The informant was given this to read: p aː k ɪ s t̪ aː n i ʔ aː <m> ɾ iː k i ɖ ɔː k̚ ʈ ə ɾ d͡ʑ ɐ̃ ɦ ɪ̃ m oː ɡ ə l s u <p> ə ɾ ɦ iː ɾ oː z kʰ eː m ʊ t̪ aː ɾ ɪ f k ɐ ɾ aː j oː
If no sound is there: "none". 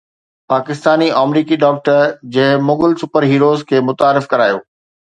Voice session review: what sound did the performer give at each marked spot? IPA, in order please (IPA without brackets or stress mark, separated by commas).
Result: m, p